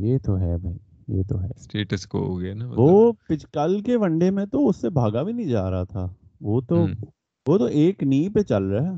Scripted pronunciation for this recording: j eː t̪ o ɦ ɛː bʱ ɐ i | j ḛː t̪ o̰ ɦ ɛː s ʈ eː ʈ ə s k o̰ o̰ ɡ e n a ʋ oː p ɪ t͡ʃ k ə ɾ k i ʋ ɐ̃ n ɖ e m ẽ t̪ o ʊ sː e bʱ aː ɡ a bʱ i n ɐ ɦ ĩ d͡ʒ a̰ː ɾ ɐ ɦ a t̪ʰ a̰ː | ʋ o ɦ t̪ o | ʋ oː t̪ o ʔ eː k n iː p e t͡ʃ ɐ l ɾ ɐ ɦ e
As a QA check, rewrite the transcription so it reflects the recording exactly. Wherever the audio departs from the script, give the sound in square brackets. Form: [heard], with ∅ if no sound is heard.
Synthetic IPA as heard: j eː t̪ o ɦ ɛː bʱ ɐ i | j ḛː t̪ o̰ ɦ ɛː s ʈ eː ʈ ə s k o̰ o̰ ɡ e n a ʋ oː p ɪ t͡ʃ k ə [l] k [e] ʋ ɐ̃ [ɳ] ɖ e m ẽ t̪ o ʊ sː e bʱ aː ɡ a bʱ i n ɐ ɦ ĩ d͡ʒ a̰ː ɾ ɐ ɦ a t̪ʰ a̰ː | ʋ o [∅] t̪ o | ʋ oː t̪ o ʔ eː k n iː p e t͡ʃ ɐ l ɾ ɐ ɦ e